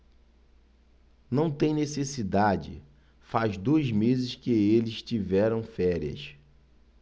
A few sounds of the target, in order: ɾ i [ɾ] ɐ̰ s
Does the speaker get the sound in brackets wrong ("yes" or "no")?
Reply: yes